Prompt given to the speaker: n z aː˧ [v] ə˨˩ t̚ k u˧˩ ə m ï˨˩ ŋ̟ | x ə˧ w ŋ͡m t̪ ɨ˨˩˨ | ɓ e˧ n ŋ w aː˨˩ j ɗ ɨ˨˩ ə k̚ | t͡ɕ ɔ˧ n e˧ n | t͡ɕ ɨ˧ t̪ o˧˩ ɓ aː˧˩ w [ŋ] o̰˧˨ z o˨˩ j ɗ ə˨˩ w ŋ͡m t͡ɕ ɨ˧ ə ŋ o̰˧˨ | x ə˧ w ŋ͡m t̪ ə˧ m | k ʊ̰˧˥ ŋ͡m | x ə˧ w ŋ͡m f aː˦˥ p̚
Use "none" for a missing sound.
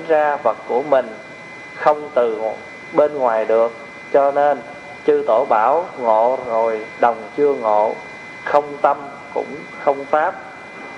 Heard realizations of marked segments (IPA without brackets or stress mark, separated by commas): v, ŋ